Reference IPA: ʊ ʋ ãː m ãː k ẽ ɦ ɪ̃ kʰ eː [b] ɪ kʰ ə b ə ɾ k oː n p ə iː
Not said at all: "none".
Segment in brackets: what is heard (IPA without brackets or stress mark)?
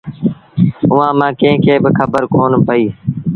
b